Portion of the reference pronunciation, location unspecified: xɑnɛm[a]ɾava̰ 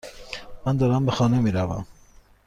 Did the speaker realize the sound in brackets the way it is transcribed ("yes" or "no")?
no